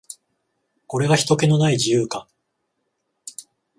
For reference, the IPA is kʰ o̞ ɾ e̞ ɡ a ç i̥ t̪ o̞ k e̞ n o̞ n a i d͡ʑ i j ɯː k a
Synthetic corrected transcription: k o̞ ɾ e̞ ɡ a ç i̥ t̪ o̞ k e̞ n o̞ n a i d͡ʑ i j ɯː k a

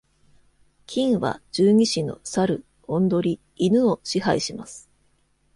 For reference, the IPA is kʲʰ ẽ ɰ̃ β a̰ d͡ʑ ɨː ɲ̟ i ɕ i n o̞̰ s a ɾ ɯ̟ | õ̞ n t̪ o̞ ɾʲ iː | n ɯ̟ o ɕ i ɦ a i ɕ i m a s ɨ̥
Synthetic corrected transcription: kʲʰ ĩ ɰ̃ β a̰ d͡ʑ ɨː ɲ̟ i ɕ i n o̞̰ s a ɾ ɯ̟ | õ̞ n d̪ o̞ ɾʲ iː | n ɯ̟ o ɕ i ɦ a i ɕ i m a s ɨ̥

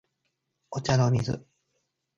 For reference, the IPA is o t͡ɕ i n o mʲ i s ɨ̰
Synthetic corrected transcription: o t͡ɕ a n o mʲ i z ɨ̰

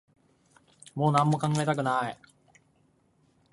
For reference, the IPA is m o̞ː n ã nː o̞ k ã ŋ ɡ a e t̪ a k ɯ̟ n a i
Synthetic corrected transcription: m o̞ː n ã mː o̞ k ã ŋ ɡ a e t̪ a k ɯ̟ n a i

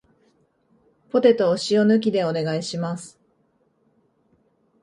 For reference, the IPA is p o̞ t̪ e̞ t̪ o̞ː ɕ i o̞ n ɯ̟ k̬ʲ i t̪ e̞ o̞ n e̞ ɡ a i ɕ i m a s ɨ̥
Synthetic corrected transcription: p o̞ t̪ e̞ t̪ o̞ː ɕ i o̞ n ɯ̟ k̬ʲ i d̪ e̞ o̞ n e̞ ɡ a i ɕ i m a s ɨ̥

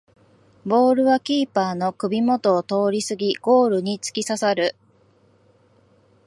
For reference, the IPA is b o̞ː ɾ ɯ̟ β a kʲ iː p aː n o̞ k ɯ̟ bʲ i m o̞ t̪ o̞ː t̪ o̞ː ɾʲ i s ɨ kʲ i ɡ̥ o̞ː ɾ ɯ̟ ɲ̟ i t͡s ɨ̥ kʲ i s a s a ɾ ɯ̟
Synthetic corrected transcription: b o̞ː ɾ ɯ̟ β a kʲ iː p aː n o̞ k ɯ̟ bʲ i m o̞ t̪ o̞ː t̪ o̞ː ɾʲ i s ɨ ɡʲ i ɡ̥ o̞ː ɾ ɯ̟ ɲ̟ i t͡s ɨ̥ kʲ i s a s a ɾ ɯ̟

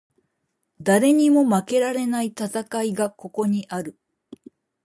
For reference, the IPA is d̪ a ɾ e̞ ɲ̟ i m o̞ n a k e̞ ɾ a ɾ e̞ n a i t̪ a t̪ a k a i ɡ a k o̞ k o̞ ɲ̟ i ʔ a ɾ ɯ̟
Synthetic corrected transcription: d̪ a ɾ e̞ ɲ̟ i m o̞ m a k e̞ ɾ a ɾ e̞ n a i t̪ a t̪ a k a i ɡ a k o̞ k o̞ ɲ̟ i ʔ a ɾ ɯ̟

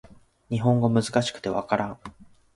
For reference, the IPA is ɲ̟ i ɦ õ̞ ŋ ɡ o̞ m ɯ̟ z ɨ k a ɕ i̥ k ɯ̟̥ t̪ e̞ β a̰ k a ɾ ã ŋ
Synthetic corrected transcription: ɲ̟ i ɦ õ̞ ŋ ɡ o̞ m ɯ̟ z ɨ k a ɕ i̥ k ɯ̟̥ t̪ e̞ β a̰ k a ɾ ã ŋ

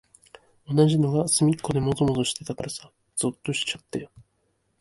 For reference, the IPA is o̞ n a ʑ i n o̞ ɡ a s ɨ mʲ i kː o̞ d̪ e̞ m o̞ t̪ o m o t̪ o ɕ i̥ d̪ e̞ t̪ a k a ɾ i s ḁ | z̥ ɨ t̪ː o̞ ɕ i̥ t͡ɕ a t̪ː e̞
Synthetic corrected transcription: o̞ n a ʑ i n o̞ ɡ a s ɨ mʲ i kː o̞ d̪ e̞ m o̞ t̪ o m o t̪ o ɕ i̥ t̪ e̞ t̪ a k a ɾ a s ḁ | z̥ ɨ t̪ː o̞ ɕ i̥ t͡ɕ a t̪ː e̞

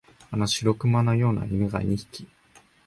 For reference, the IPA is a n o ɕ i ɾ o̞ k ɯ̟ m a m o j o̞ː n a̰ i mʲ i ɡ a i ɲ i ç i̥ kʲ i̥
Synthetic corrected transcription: a n o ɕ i ɾ o̞ k ɯ̟ m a n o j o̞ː n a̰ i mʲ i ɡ a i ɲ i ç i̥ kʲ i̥

